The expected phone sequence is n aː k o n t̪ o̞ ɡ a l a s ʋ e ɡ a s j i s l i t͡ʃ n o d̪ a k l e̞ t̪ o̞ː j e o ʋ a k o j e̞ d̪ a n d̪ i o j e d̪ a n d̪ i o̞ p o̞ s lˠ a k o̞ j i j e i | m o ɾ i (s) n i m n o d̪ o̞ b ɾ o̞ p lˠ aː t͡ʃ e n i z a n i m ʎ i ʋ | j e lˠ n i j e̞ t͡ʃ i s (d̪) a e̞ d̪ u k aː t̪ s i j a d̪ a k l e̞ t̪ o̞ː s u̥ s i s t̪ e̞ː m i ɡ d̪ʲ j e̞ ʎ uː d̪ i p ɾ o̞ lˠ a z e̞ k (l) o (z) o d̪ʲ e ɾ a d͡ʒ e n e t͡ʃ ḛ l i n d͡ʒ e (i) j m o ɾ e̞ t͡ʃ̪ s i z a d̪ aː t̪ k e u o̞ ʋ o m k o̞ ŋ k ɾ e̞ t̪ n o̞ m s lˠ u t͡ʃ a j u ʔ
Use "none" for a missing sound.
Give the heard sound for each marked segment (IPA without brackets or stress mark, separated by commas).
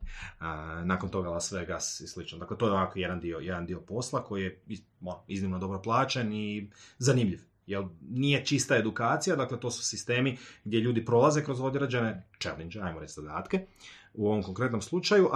z, t̪, ɾ, z, a